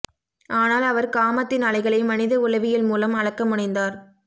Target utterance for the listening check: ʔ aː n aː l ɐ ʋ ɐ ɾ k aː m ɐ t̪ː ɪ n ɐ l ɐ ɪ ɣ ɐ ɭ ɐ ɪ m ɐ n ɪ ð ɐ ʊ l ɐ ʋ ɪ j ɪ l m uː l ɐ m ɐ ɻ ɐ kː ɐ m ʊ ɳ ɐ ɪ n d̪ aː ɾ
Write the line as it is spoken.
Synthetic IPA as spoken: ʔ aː n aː l ɐ ʋ ɐ ɾ k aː m ɐ t̪ː ɪ n ɐ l ɐ ɪ ɣ ɐ ɭ ɐ ɪ m ɐ n ɪ ð ɐ ʊ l ɐ ʋ ɪ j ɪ l m uː l ɐ m ɐ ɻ ɐ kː ɐ m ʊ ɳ ɐ ɪ n d̪ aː ɾ